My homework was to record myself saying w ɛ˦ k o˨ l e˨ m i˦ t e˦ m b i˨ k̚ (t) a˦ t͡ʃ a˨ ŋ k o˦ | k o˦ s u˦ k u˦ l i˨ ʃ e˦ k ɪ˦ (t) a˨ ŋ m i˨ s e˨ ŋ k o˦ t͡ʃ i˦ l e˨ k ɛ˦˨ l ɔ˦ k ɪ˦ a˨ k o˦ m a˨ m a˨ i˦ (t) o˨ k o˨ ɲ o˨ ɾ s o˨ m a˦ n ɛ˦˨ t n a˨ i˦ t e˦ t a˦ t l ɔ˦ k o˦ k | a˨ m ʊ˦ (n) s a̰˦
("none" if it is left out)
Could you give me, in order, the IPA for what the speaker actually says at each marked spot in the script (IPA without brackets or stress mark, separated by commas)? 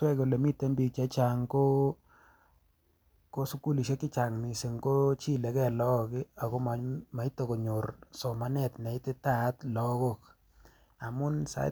t͡ʃ, t͡ʃ, t, n